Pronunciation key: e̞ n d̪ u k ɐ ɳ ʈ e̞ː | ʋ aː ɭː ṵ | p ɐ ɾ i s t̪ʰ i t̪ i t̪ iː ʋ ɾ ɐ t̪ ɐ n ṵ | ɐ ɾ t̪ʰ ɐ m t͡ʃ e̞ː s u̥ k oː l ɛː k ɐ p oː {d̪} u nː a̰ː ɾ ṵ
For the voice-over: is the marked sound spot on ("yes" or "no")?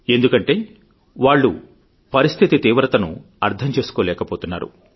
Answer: no